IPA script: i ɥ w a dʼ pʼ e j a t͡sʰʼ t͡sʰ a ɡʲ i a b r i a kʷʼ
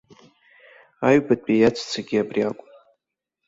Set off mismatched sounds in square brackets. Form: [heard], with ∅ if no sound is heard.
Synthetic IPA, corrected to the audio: [a] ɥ [b] a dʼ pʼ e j a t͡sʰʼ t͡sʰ a ɡʲ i a b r i a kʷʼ